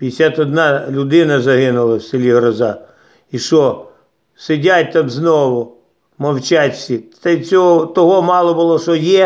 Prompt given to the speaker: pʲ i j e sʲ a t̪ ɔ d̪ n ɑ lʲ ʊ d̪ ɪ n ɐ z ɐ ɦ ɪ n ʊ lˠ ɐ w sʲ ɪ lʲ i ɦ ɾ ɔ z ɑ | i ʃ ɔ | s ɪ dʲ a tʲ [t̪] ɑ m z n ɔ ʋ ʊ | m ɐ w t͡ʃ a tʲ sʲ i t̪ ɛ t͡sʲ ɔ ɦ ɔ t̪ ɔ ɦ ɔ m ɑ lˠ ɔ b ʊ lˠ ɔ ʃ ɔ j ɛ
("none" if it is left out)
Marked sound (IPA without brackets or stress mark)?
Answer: t̪